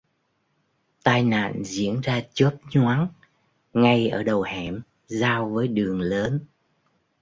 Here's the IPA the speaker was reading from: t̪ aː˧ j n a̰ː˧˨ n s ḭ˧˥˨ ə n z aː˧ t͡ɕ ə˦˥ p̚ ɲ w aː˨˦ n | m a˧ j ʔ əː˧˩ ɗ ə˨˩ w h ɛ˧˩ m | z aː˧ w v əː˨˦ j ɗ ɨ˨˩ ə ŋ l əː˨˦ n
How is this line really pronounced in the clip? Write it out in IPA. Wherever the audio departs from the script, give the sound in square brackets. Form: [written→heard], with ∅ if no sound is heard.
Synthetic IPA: t̪ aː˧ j n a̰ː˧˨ n [s→z] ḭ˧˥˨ ə n z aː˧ t͡ɕ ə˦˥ p̚ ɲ w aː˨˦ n | [m→ŋ] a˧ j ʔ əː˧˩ ɗ ə˨˩ w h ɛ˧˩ m | z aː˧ w v əː˨˦ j ɗ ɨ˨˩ ə ŋ l əː˨˦ n